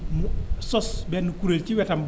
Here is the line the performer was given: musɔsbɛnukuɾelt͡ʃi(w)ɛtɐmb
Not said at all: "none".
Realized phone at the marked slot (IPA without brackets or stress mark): w